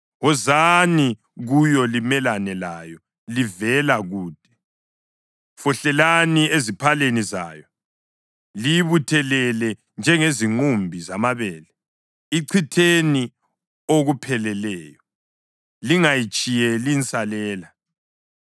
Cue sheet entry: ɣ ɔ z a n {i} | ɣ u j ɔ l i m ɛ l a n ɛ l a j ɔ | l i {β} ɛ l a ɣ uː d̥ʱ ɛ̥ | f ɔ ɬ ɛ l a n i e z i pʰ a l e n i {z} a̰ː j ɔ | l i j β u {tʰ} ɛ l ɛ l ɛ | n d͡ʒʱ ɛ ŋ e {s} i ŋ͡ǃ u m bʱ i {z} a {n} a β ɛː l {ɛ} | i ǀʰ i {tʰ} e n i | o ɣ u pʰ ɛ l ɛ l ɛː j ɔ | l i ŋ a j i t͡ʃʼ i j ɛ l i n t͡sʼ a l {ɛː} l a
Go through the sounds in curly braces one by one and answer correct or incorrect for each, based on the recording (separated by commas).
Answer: correct, incorrect, correct, correct, incorrect, correct, incorrect, correct, correct, correct